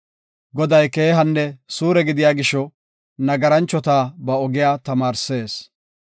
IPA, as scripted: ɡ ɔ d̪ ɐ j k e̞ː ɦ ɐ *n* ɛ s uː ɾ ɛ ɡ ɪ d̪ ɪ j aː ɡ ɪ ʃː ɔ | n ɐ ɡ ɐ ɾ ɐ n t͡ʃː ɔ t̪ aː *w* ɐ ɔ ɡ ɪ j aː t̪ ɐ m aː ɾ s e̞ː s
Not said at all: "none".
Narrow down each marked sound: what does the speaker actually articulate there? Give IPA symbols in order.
nː, b

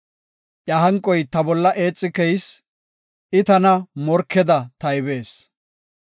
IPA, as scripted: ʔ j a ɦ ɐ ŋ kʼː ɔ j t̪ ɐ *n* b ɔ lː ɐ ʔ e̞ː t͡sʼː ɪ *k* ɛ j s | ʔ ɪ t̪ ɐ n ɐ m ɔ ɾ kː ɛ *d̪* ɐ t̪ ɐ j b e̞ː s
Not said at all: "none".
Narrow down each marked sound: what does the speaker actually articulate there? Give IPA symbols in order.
none, k, d̪

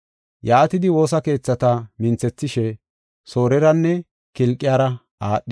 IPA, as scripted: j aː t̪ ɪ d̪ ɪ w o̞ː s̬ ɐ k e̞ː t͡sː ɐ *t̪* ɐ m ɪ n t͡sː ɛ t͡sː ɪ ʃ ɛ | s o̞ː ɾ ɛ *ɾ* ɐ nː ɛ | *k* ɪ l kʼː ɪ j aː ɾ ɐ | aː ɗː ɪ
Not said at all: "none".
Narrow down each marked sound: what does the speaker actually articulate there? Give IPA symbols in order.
t̪, ɾ, k

